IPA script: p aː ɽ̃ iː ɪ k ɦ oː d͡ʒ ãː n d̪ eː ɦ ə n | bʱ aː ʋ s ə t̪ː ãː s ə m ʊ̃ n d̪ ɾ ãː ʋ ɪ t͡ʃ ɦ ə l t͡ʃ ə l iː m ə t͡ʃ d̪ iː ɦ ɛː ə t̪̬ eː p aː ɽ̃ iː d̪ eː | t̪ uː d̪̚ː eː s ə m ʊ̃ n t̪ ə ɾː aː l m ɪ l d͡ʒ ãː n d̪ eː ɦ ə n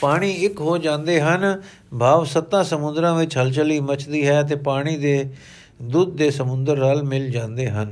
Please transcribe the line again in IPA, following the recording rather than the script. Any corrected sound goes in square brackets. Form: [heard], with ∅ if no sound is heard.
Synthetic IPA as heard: p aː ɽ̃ iː ɪ k ɦ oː d͡ʒ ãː n d̪ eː ɦ ə n | bʱ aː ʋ s ə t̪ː ãː s ə m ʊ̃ n d̪ ɾ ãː ʋ ɪ t͡ʃ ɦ ə l t͡ʃ ə l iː m ə t͡ʃ d̪ iː ɦ ɛː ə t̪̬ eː p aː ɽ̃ iː d̪ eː | [d̪] uː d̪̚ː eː s ə m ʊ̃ n [d̪] ə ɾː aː l m ɪ l d͡ʒ ãː n d̪ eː ɦ ə n